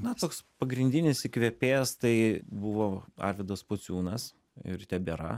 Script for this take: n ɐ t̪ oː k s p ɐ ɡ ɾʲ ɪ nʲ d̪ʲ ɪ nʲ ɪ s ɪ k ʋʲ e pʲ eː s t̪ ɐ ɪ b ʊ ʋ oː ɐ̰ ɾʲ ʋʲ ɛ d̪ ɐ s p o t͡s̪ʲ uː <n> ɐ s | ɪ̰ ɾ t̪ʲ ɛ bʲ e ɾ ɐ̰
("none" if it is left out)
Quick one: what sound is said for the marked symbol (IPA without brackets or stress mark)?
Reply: n